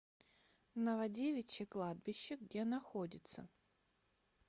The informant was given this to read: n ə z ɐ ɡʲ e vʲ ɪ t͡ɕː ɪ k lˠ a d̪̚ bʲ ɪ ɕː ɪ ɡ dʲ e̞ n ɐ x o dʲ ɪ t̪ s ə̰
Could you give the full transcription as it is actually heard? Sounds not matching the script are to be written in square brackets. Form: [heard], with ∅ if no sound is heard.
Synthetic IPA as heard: n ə [v] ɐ [dʲ] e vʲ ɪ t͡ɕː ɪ k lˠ a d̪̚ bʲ ɪ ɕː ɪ ɡ dʲ e̞ n ɐ x o dʲ ɪ t̪ s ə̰